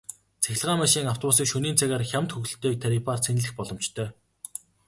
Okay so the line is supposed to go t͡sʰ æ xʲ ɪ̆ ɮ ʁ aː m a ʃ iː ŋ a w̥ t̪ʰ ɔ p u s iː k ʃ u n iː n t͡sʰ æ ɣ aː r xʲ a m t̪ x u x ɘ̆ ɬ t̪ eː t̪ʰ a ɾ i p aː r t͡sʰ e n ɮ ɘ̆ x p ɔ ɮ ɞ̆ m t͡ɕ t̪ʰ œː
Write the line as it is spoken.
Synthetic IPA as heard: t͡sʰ æ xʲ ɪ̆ ɮ ʁ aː m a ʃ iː ŋ a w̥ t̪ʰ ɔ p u s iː k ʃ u n iː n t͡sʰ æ ɣ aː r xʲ a m t̪ x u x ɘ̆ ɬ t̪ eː t̪ʰ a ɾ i p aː r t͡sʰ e n ɮ ɘ̆ x p ɔ ɮ ɞ̆ m t͡ɕ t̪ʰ œː